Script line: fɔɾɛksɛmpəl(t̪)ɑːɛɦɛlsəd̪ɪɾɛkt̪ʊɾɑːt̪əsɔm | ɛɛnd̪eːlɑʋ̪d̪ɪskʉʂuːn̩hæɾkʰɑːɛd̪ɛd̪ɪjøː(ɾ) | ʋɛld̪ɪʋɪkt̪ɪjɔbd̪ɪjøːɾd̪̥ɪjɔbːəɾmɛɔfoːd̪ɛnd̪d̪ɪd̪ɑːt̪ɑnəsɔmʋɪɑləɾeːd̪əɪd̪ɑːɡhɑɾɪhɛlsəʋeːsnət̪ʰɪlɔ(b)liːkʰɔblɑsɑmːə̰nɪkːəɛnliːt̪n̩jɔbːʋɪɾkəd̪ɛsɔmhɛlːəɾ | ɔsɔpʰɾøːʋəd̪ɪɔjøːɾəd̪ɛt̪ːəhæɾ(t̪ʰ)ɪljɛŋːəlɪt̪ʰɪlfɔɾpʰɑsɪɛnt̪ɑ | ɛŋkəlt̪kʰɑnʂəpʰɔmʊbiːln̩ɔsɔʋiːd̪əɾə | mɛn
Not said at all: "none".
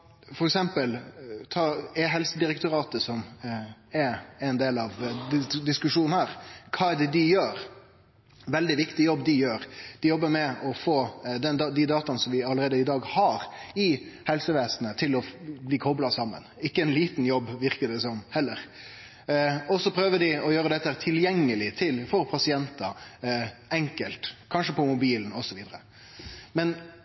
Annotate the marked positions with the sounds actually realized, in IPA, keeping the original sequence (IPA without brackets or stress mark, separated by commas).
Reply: t̪ʰ, ɾ, b, t̪ʰ